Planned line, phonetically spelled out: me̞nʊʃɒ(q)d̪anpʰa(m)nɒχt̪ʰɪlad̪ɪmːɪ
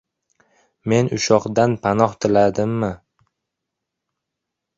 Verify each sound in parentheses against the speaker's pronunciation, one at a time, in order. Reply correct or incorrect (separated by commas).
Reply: correct, incorrect